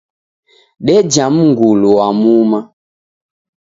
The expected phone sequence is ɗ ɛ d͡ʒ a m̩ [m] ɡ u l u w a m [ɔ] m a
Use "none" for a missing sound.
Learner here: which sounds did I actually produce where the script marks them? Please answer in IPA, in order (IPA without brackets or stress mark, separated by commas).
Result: ŋ, u